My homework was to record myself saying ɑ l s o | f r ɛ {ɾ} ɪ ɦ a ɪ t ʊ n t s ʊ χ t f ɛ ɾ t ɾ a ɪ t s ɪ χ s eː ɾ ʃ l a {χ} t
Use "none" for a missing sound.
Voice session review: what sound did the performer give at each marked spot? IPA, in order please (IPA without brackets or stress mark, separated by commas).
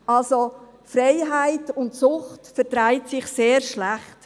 none, χ